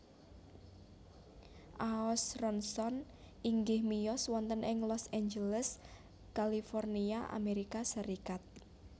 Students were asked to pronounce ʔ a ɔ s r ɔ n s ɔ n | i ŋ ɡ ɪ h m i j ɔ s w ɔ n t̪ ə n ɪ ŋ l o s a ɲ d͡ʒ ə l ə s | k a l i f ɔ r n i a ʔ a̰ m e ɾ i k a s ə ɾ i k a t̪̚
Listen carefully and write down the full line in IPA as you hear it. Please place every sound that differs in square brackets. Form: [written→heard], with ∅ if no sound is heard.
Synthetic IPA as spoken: ʔ a ɔ s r ɔ n s ɔ n | i ŋ ɡ ɪ h m i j ɔ s w ɔ n t̪ ə n ɪ ŋ l [o→ɔ] s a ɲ d͡ʒ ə l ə s | k a l i f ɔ r n i a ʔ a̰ m e ɾ i k a s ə ɾ i k a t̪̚